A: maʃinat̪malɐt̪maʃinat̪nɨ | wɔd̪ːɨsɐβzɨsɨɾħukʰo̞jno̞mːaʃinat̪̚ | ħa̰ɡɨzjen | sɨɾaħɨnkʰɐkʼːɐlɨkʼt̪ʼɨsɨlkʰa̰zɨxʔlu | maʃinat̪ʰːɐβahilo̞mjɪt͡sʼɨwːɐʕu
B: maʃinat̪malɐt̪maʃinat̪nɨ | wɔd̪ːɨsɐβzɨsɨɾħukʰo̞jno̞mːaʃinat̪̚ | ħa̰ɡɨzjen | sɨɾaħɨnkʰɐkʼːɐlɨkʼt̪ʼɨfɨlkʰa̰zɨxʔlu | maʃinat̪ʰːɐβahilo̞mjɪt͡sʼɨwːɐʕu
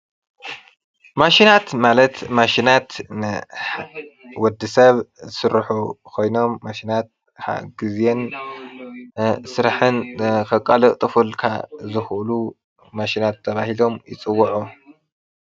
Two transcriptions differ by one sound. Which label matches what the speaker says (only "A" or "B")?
B